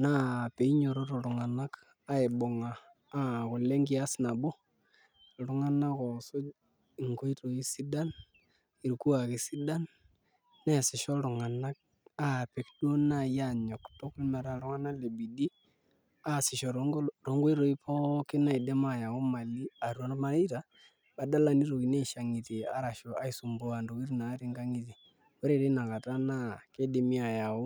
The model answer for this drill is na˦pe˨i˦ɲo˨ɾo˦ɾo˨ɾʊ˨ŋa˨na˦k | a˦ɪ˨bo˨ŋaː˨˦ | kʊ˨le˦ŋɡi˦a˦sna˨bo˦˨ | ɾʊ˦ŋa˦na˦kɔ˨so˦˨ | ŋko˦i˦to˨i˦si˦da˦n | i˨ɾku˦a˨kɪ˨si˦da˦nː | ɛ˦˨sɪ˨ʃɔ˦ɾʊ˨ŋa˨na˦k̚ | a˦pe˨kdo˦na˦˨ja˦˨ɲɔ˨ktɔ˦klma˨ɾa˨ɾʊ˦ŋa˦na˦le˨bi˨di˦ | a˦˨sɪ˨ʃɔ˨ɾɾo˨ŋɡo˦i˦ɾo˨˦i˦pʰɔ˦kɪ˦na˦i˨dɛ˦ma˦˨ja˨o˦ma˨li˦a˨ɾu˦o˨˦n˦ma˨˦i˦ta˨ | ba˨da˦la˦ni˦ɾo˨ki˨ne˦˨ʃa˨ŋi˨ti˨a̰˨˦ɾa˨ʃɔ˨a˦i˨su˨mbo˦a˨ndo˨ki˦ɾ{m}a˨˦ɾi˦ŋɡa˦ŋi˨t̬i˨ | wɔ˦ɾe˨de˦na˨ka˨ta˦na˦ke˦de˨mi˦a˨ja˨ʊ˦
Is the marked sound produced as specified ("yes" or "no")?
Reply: no